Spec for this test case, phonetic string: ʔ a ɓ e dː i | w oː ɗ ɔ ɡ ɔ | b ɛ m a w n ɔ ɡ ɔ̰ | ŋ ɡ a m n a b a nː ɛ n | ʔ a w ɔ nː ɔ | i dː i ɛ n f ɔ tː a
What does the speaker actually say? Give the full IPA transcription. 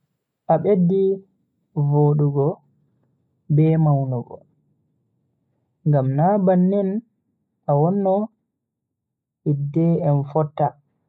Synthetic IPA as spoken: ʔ a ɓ e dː i | v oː ɗ u ɡ ɔ | b ɛ m a w n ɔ ɡ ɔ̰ | ŋ ɡ a m n a b a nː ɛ n | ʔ a w ɔ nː ɔ | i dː ɛ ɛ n f ɔ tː a